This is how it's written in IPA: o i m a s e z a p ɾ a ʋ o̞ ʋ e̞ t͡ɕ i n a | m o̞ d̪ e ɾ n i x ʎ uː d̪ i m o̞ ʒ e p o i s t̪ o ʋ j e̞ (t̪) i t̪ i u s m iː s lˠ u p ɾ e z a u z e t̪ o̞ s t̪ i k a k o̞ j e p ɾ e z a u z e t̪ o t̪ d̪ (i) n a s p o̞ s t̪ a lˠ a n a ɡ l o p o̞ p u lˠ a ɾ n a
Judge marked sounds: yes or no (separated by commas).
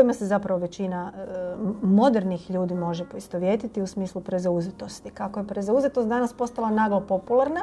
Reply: yes, no